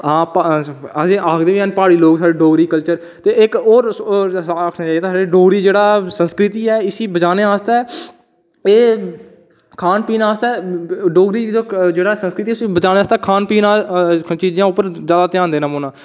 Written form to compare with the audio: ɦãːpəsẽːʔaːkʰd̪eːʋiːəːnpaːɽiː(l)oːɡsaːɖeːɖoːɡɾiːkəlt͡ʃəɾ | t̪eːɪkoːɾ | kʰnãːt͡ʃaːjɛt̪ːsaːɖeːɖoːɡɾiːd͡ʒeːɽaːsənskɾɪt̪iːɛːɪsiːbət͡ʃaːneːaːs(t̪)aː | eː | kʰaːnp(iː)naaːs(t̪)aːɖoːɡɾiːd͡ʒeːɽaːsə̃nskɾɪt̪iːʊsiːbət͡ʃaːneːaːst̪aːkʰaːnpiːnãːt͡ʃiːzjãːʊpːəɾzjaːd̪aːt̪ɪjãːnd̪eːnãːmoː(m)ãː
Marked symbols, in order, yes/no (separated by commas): yes, yes, yes, yes, no